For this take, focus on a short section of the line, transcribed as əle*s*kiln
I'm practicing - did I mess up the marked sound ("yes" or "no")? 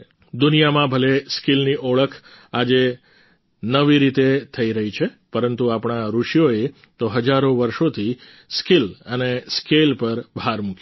no